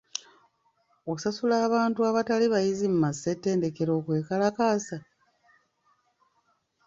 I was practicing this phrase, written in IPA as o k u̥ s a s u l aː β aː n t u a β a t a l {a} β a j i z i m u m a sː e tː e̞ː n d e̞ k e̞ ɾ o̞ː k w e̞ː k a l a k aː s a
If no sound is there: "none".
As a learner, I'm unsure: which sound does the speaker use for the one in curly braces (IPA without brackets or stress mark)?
i